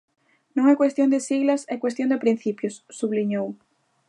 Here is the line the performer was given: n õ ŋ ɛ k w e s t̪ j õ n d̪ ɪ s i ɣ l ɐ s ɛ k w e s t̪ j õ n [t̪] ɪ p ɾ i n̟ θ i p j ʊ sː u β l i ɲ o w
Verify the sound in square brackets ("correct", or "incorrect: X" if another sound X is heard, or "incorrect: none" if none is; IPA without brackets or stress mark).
incorrect: d̪